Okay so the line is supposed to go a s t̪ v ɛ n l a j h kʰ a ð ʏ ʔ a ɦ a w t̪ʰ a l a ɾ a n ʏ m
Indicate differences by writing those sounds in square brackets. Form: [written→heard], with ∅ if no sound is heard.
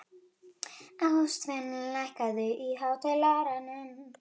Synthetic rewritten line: a s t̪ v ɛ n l a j h [kʰ→k] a ð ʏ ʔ [a→i] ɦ a w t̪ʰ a l a ɾ a n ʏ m